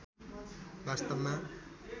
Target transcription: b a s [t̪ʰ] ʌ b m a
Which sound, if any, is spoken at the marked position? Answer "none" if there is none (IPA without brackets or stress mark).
t̪